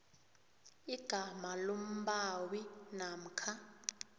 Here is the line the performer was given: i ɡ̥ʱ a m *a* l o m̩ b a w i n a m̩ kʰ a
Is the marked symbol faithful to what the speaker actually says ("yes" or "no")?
yes